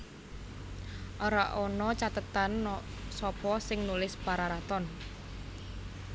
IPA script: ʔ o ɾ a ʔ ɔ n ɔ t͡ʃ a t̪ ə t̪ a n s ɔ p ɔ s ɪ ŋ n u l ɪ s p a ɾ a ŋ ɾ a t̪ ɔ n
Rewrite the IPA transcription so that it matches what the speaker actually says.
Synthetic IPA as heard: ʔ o ɾ a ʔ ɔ n ɔ t͡ʃ a t̪ ə t̪ a n s ɔ p ɔ s ɪ ŋ n u l ɪ s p a ɾ a ɾ a t̪ ɔ n

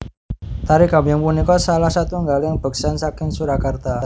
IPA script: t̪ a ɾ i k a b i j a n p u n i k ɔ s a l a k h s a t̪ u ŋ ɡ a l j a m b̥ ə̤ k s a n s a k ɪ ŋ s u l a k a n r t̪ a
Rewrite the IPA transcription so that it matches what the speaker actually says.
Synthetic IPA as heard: t̪ a ɾ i k a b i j a ŋ p u n i k ɔ s a l a h s a t̪ u ŋ ɡ a l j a ŋ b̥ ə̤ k s a n s a k ɪ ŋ s u ɾ a k a r t̪ a

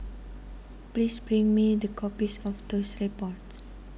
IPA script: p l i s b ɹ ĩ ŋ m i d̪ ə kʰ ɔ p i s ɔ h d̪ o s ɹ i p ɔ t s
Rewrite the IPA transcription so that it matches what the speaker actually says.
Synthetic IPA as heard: p l i s b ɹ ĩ ŋ m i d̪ ə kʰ ɔ p i s ɔ f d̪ o s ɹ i p ɔ t s

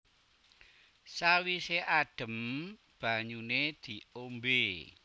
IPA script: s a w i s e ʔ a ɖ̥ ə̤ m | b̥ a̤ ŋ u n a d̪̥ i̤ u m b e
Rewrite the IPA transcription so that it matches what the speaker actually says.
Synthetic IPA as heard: s a w i s e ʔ a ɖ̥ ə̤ m | b̥ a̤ ɲ u n e d̪̥ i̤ o m b e

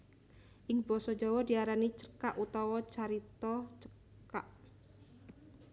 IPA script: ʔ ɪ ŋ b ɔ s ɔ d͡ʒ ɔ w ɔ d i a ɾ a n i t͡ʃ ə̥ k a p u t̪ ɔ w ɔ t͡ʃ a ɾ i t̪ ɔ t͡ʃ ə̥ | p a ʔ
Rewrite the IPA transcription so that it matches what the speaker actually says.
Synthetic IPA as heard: ʔ ɪ ŋ b ɔ s ɔ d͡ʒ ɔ w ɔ d i a ɾ a n i t͡ʃ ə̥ k a ʔ u t̪ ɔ w ɔ t͡ʃ a ɾ i t̪ ɔ t͡ʃ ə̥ | k a ʔ

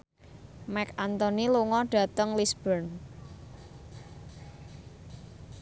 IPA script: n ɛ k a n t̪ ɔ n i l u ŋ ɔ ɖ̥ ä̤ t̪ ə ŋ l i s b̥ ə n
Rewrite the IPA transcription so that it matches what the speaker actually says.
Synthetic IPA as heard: m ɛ k a n t̪ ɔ n i l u ŋ ɔ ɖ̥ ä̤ t̪ ə ŋ l i s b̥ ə n

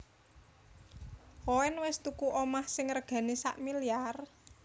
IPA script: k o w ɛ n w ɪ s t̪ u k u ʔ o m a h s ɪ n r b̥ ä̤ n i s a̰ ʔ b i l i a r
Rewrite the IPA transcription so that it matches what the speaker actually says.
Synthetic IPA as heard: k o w ɛ n w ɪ s t̪ u k u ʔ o m a h s ɪ ŋ r ɡ̥ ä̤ n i s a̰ ʔ m i l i a r

